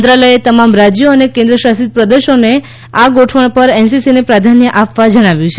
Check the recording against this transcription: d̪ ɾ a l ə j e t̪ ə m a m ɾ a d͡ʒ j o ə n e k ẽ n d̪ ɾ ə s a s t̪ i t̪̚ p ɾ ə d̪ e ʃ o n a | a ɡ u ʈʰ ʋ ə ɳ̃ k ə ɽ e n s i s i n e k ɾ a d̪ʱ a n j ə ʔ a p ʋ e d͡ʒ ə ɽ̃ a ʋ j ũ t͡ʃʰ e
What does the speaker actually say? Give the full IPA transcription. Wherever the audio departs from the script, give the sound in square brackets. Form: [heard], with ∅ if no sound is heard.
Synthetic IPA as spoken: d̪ ɾ a l ə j e t̪ ə m a m ɾ a d͡ʒ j o ə n e k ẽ n d̪ ɾ ə [ʃ] a s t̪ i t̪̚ p ɾ ə d̪ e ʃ o n [e] | a ɡ [o] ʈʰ ʋ ə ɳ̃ [p] ə [ɾ] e n s i s i n e [p] ɾ a d̪ʱ a n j ə ʔ a p ʋ [a] d͡ʒ ə ɽ̃ a ʋ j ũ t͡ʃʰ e